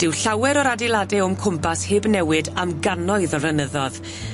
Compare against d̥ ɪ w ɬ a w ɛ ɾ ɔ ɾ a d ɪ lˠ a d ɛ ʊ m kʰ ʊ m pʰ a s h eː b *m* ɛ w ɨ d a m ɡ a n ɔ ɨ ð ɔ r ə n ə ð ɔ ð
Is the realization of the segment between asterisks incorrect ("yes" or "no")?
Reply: yes